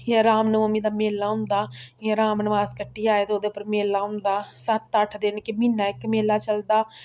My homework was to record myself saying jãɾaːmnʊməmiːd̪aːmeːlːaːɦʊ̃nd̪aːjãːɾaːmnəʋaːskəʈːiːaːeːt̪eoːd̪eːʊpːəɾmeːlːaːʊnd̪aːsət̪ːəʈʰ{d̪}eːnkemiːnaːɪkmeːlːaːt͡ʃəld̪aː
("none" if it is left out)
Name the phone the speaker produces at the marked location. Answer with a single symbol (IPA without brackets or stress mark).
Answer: d̪